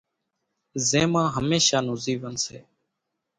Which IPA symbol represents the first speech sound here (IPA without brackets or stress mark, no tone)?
z